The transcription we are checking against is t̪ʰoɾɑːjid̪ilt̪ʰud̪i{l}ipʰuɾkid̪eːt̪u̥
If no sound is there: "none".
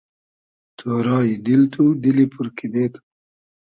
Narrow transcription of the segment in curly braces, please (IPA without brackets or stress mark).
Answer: l